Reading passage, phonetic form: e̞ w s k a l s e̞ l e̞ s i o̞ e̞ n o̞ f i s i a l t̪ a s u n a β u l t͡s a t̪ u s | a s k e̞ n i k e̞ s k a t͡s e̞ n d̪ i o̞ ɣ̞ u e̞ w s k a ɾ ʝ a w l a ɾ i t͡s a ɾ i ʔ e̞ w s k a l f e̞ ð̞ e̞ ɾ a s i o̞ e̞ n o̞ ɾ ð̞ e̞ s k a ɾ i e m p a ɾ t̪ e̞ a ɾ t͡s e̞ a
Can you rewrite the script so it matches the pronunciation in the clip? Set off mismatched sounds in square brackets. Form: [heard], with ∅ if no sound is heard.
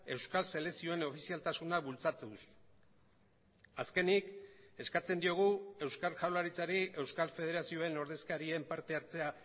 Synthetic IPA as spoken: e̞ w s k a l s e̞ l e̞ s i o̞ e̞ n o̞ f i s i a l t̪ a s u n a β u l t͡s a t̪ u s | a s k e̞ n i k e̞ s k a t͡s e̞ n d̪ i o̞ ɣ̞ u e̞ w s k a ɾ ʝ a w l a ɾ i t͡s a ɾ i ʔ e̞ w s k a l f e̞ ð̞ e̞ ɾ a s i o̞ e̞ n o̞ ɾ ð̞ e̞ s k a ɾ i e m p a ɾ t̪ e̞ a ɾ t͡s e̞ a